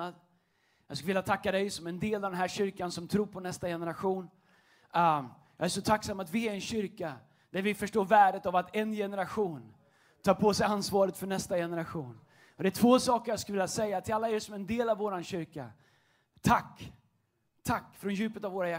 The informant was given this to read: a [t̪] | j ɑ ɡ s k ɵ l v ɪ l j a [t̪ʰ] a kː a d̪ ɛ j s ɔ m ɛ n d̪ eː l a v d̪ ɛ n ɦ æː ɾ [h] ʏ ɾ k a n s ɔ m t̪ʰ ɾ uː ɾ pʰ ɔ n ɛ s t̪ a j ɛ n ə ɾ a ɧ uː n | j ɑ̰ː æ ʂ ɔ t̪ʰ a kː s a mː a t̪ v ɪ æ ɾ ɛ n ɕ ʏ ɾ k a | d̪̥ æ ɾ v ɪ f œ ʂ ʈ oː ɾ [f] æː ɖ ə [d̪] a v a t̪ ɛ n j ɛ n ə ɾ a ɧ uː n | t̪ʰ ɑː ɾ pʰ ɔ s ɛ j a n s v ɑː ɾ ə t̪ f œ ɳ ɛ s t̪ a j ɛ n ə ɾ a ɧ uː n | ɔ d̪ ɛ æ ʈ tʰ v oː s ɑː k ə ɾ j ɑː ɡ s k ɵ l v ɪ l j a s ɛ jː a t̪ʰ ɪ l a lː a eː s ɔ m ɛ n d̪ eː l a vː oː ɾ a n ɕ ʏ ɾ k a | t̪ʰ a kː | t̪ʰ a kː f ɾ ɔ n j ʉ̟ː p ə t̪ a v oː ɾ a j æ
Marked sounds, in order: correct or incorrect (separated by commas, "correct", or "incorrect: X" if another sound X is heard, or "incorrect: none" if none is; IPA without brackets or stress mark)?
incorrect: d̪, correct, incorrect: ɕ, incorrect: v, incorrect: t̪